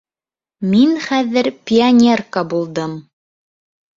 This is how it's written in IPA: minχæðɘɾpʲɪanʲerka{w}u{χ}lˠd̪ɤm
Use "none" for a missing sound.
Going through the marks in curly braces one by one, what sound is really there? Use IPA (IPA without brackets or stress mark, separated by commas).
b, none